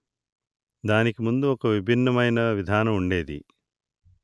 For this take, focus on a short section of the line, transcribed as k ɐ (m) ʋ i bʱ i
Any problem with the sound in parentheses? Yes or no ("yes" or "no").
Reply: yes